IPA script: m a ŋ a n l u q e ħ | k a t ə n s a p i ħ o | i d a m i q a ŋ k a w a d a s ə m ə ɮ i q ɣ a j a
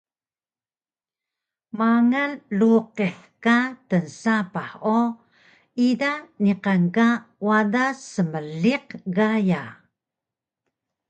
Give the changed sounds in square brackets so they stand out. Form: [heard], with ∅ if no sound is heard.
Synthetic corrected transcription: m a ŋ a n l u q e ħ | k a t ə n s a p [a] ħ o | i d a [n] i q a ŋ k a w a d a s ə m ə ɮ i q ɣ a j a